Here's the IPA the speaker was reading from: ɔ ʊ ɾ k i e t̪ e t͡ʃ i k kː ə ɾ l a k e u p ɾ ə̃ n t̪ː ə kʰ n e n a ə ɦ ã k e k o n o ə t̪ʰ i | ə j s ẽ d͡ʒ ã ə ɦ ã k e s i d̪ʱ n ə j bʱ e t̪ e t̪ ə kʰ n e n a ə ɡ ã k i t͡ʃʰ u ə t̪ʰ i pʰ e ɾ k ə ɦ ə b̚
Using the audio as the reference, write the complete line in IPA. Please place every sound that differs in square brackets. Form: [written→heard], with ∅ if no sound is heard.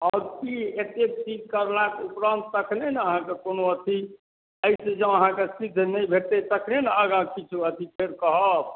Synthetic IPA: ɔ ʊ ɾ k i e t̪ e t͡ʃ i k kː ə ɾ l a k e u p ɾ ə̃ n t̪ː ə kʰ n e n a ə ɦ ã k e k o n o ə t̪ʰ i | ə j s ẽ d͡ʒ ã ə ɦ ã k e s i d̪ʱ n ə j bʱ e t̪ e t̪ ə kʰ n e n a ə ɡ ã k i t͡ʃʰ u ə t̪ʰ i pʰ e ɾ k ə ɦ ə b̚

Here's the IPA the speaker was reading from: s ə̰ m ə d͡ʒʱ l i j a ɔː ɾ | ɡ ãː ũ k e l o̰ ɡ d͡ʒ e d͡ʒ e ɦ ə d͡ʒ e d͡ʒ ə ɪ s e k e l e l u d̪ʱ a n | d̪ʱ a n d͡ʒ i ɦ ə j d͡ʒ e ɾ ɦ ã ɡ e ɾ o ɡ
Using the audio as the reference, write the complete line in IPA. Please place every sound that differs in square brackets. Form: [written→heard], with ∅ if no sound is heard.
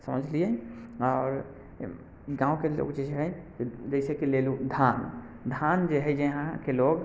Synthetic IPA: s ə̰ m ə d͡ʒʱ l i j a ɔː ɾ | ɡ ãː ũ k e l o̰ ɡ d͡ʒ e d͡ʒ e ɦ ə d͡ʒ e d͡ʒ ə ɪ s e k e l e l u d̪ʱ a n | d̪ʱ a n d͡ʒ [i→e] ɦ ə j d͡ʒ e [ɾ→∅] ɦ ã [ɡ→k] e [ɾ→l] o ɡ

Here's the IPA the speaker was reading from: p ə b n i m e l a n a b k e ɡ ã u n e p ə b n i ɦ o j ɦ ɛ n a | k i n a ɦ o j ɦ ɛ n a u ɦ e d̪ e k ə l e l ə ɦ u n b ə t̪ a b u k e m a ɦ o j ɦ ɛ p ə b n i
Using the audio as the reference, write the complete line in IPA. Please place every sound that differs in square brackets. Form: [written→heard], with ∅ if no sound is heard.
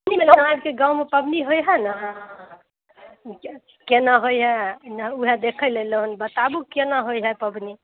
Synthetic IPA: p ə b n i m e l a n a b k e ɡ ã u [n→m] e p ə b n i ɦ o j ɦ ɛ n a | k [i→e] n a ɦ o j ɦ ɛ n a u ɦ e d̪ e [k→kʰ] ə l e l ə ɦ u n b ə t̪ a b u k e [m→n] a ɦ o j ɦ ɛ p ə b n i

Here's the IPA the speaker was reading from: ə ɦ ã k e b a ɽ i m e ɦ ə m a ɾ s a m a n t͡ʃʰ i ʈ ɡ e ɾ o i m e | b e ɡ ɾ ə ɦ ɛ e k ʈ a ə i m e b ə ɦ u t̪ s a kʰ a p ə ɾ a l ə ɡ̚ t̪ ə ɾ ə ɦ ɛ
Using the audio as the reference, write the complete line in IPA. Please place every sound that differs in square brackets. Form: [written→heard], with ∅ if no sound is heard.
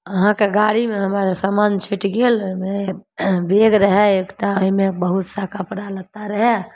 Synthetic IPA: ə ɦ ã k e [b→ɡ] a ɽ i m e ɦ ə m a ɾ s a m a n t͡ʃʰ i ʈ ɡ e [ɾ→l] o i m e | b e ɡ ɾ ə ɦ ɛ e k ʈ a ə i m e b ə ɦ u t̪ s a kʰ a p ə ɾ a l ə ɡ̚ t̪ [ə→a] ɾ ə ɦ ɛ

